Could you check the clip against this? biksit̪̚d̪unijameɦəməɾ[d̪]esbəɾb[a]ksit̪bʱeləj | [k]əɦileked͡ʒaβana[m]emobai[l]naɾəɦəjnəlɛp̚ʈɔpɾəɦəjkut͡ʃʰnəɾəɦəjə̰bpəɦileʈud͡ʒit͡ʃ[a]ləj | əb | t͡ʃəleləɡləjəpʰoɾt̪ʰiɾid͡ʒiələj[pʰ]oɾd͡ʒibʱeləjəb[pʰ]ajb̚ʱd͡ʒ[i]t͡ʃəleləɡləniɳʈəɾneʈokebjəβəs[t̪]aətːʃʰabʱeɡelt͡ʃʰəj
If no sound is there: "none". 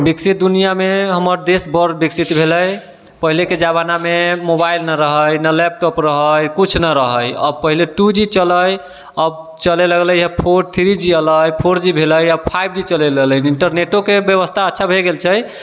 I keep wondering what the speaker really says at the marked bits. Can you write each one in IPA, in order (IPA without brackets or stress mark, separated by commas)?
d̪, i, p, m, l, ə, pʰ, pʰ, i, t̪ʰ